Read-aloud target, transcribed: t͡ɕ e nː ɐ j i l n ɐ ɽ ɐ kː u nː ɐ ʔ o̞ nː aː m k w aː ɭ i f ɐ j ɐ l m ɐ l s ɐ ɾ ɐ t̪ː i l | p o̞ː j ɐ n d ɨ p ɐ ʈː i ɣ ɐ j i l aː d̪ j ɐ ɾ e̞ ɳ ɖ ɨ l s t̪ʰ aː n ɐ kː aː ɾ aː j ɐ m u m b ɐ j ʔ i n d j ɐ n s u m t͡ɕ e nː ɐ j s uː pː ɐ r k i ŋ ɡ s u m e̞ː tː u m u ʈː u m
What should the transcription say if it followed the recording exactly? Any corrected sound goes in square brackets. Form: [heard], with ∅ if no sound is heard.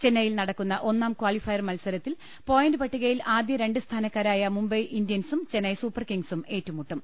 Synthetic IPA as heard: t͡ɕ e nː ɐ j i l n ɐ ɽ ɐ kː u nː ɐ ʔ o̞ nː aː m k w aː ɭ i f ɐ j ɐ [r] m ɐ l s ɐ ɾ ɐ t̪ː i l | p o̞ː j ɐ n d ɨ p ɐ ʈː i ɣ ɐ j i l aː d̪ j ɐ ɾ e̞ ɳ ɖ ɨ [∅] s t̪ʰ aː n ɐ kː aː ɾ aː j ɐ m u m b ɐ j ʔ i n d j ɐ n s u m t͡ɕ e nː ɐ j s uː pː ɐ r k i ŋ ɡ s u m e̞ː tː u m u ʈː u m